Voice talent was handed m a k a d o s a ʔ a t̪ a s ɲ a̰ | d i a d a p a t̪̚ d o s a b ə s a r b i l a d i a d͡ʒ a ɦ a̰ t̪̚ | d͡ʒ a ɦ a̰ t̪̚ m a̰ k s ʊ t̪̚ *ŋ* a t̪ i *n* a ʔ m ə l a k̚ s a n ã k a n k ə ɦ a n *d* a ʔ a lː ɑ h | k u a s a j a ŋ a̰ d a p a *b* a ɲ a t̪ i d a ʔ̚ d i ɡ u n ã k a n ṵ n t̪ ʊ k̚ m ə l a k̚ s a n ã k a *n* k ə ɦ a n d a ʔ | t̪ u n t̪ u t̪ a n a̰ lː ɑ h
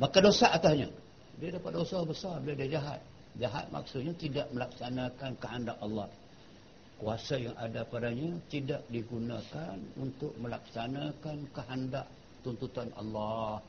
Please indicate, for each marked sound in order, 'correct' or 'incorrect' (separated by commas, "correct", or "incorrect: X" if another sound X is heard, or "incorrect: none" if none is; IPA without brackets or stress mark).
incorrect: ɲ, incorrect: d, correct, incorrect: d, correct